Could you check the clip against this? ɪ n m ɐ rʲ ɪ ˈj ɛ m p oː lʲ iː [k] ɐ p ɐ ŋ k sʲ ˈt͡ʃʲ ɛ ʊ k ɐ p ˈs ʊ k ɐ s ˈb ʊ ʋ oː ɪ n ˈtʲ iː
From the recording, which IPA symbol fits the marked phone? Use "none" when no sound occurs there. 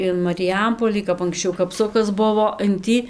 k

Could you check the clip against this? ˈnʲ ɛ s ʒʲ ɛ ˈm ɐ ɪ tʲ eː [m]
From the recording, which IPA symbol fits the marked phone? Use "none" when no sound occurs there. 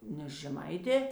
none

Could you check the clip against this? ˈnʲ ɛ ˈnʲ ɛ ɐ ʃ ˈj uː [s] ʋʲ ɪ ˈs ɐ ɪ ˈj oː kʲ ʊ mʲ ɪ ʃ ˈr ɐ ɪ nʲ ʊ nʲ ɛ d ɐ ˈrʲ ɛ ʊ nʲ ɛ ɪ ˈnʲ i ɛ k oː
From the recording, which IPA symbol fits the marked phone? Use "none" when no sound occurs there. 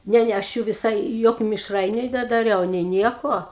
none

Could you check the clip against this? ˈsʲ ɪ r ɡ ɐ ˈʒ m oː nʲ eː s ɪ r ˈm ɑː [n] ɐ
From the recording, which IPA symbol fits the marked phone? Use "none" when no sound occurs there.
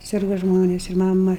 m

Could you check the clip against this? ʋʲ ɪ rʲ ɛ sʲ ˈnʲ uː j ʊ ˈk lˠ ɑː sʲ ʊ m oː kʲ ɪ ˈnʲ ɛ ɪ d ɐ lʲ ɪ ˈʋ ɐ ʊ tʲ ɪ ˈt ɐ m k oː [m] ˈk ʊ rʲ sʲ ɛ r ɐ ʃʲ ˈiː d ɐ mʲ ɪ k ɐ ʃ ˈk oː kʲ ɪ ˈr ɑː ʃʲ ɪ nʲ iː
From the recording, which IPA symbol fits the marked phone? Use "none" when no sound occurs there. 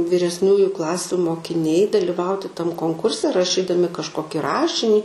ŋ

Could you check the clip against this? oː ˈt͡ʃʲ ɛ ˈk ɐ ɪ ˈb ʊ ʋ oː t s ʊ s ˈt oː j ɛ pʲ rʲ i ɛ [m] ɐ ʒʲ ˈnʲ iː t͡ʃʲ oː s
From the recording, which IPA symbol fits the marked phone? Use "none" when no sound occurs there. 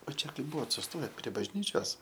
b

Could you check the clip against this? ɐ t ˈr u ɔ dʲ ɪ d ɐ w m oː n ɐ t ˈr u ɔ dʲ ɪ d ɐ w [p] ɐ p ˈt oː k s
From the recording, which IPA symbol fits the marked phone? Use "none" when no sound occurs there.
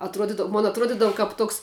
k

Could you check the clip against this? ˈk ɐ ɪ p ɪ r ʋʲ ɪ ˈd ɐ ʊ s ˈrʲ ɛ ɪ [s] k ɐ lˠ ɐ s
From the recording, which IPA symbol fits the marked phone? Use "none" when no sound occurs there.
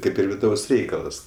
none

